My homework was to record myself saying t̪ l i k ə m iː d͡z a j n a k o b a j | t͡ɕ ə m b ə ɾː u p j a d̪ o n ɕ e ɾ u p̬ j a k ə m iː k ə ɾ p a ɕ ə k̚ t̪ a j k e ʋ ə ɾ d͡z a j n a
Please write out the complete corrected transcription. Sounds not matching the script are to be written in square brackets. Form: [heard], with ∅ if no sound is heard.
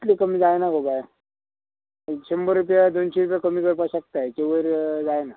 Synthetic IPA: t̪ l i k ə m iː d͡z a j n a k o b a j | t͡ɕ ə m b ə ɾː u p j a d̪ o n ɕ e ɾ u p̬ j a k ə m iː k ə ɾ p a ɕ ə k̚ t̪ a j k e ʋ ə ɾ d͡z a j n a